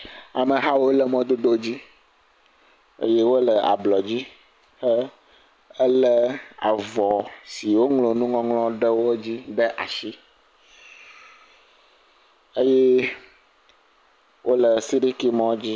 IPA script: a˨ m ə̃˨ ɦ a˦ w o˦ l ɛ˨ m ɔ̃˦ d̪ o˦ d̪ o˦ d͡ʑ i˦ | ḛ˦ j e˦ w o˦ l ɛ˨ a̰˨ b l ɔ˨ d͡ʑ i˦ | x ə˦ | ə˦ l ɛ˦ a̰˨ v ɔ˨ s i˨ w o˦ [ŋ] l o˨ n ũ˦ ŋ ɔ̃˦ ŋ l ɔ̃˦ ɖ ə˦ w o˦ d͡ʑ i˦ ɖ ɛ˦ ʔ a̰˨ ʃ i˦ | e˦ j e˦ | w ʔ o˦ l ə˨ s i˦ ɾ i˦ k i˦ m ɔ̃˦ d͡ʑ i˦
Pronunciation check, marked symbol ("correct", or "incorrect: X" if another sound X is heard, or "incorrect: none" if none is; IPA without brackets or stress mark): correct